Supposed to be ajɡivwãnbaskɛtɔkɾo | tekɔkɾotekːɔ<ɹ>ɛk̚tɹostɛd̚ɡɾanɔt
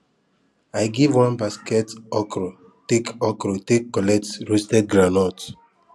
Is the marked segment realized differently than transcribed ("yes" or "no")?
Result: yes